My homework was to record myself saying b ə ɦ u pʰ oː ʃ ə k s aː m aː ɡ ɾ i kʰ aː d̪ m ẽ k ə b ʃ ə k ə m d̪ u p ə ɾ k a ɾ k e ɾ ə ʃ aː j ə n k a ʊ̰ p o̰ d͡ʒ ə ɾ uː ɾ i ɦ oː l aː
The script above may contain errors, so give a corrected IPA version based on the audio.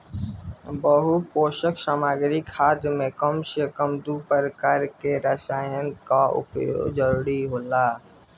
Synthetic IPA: b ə ɦ u p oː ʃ ə k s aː m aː ɡ ɾ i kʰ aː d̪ m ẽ k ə m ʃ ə k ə m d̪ u p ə ɾ k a ɾ k e ɾ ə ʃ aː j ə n k a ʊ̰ p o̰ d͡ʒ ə ɾ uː ɾ i ɦ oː l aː